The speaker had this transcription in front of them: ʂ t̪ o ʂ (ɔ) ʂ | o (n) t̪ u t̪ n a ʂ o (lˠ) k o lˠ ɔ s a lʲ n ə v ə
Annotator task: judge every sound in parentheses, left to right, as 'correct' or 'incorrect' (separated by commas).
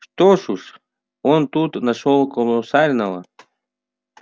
incorrect, correct, correct